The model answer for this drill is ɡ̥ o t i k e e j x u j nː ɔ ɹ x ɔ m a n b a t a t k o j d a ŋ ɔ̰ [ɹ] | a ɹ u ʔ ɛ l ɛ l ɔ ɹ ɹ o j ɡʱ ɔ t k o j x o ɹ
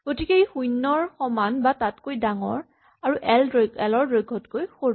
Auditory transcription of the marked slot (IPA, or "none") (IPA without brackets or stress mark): ɹ